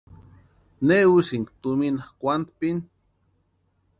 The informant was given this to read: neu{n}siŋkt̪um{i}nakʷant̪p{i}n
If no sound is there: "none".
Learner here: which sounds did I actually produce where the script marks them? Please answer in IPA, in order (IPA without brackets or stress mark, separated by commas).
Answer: none, i, i